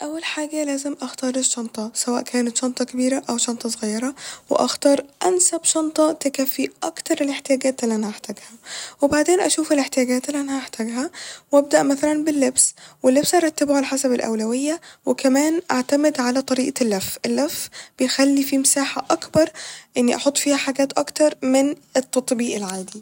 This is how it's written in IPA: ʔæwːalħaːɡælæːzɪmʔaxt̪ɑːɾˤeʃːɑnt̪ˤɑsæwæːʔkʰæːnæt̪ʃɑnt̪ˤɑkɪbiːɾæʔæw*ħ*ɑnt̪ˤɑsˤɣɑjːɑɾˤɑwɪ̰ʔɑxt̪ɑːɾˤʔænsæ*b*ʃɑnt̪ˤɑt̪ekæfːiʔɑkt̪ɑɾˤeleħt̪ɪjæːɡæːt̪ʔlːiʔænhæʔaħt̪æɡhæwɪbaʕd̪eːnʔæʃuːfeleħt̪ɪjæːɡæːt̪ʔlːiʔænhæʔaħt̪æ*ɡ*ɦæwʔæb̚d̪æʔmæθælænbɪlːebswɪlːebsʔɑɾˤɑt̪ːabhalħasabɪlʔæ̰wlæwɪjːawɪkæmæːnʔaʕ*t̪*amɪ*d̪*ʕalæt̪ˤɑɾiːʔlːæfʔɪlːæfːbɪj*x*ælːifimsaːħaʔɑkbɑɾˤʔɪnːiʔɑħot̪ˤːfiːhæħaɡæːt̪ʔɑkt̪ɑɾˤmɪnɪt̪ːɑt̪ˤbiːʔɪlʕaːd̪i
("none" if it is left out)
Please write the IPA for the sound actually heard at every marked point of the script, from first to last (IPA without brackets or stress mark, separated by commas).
ʃ, b, ɡ, t̪, d̪, x